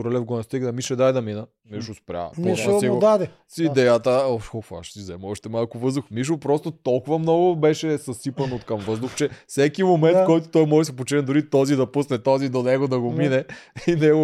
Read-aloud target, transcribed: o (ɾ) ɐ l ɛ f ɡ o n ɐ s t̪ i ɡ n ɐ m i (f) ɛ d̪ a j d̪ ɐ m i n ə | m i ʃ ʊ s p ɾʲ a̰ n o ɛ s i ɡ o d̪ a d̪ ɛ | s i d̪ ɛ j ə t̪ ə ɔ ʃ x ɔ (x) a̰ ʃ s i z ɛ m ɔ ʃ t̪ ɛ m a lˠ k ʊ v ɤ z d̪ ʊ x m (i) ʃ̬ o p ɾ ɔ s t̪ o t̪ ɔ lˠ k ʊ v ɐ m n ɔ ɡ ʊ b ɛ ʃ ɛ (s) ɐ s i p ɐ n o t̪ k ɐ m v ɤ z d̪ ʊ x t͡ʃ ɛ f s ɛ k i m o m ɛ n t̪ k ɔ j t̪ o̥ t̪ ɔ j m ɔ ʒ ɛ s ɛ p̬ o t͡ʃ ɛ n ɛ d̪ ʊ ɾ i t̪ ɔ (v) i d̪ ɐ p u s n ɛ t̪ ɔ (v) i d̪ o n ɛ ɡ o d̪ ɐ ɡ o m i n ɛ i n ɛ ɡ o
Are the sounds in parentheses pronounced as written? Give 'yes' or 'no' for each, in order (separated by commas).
yes, no, no, yes, yes, no, no